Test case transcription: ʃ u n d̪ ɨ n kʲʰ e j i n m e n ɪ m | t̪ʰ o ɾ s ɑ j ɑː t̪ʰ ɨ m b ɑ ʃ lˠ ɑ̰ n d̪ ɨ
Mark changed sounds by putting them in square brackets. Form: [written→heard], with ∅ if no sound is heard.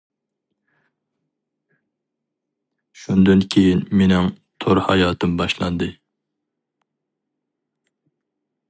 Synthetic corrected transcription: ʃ u n d̪ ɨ n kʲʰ e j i n m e n ɪ [m→ŋ] | t̪ʰ o ɾ [s→h] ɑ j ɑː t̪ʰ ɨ m b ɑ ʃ lˠ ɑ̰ n d̪ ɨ